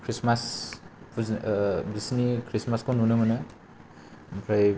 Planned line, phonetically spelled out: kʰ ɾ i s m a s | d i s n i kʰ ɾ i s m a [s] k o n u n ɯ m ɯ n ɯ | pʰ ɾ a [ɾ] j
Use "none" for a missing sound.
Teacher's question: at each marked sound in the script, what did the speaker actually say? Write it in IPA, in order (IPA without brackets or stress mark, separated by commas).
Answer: s, none